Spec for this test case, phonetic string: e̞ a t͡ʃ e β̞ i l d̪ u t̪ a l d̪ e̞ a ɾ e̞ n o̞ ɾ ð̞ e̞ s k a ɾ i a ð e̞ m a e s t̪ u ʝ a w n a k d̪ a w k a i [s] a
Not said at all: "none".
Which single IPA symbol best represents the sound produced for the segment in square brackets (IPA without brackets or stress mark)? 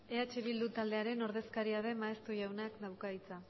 t͡s